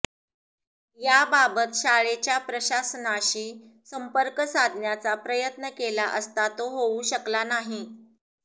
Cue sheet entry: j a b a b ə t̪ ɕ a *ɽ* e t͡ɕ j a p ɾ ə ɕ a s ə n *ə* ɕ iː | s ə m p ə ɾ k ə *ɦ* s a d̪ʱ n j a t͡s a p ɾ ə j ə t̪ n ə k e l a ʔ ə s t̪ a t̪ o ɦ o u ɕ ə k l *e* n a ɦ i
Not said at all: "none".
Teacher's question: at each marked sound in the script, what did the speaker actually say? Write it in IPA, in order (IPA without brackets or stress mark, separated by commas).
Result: ɭ, a, none, a